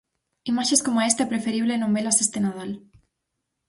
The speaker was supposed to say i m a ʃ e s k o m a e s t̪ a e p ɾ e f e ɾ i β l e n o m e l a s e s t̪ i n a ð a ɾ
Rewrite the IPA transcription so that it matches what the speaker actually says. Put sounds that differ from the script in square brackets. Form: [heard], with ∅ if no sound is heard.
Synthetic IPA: i m a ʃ e s k o m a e s t̪ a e p ɾ e f e ɾ i β l e n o m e l a s e s t̪ [e] n a ð a [l]